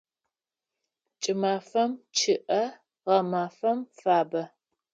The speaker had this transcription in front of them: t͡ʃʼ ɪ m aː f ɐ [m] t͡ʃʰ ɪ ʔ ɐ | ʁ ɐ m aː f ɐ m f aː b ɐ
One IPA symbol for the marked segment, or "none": m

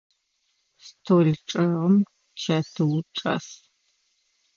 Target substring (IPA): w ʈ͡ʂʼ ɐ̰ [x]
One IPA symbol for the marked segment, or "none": s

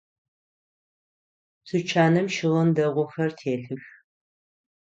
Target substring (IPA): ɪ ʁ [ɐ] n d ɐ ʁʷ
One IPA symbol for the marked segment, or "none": ɐ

